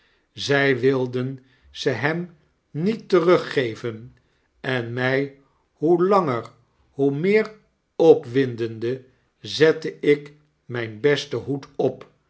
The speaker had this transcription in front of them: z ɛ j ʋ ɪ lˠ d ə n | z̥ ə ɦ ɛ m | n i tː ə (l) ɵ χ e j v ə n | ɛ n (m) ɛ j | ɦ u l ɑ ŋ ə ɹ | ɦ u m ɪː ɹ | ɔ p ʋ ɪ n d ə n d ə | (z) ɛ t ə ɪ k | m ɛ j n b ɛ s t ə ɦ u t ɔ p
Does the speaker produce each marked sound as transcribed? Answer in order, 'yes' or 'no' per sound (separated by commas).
no, yes, yes